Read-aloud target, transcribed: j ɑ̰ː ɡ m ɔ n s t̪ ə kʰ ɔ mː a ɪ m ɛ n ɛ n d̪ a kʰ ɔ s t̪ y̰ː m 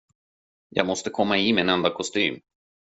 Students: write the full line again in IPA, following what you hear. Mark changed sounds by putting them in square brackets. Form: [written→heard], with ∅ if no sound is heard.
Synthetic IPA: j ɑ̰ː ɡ m ɔ [n→∅] s t̪ ə kʰ ɔ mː a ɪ m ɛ n ɛ n d̪ a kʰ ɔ s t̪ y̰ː m